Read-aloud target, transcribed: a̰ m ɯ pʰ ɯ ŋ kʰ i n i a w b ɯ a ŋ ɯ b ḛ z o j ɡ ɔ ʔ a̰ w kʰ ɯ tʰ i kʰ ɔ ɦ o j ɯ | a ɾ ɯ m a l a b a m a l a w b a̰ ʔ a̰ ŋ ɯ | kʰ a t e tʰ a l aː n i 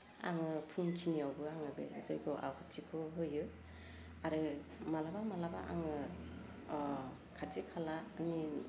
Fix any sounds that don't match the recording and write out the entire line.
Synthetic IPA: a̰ ŋ ɯ pʰ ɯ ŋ kʰ i n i a w b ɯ a ŋ ɯ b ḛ z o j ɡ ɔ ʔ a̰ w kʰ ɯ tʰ i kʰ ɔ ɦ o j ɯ | a ɾ ɯ m a l a b a m a l a b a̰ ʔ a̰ ŋ ɯ | kʰ a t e kʰ a l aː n i